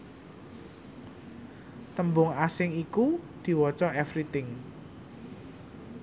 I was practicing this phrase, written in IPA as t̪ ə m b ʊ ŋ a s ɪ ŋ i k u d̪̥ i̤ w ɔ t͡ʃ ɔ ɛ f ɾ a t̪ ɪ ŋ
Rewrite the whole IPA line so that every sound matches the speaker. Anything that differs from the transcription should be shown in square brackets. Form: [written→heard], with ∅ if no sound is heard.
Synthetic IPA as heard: t̪ ə m b ʊ ŋ a s ɪ ŋ i k u d̪̥ i̤ w ɔ t͡ʃ ɔ ɛ f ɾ [a→i] t̪ ɪ ŋ